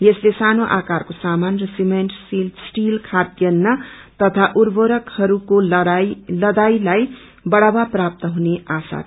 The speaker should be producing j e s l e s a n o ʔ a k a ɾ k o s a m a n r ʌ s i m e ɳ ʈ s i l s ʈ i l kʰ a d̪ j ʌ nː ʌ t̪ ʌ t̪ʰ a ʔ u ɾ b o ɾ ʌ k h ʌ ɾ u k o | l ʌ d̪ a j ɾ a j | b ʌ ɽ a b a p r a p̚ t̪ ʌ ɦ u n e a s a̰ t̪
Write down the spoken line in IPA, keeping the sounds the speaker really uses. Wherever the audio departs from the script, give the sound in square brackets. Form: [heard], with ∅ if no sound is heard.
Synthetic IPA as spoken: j e s l e s a n o ʔ a k a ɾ k o s a m a n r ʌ s i m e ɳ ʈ s i l s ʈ i l kʰ a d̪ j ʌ nː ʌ t̪ ʌ t̪ʰ a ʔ u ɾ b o ɾ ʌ k h ʌ ɾ u k o | l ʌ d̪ a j [l] a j | b ʌ ɽ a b a p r a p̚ t̪ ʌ ɦ u n e a s a̰ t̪